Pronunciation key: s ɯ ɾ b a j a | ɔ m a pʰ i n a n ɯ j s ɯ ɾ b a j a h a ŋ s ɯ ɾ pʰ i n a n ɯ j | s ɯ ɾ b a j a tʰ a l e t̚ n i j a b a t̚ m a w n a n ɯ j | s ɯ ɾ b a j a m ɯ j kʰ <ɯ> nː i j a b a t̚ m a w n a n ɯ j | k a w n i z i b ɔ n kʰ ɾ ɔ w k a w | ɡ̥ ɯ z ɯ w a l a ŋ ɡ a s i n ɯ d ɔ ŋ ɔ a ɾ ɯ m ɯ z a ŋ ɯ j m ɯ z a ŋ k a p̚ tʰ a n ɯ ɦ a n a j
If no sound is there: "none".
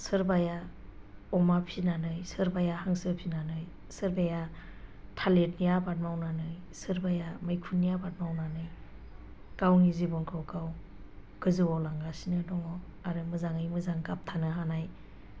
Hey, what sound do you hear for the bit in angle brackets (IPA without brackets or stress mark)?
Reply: u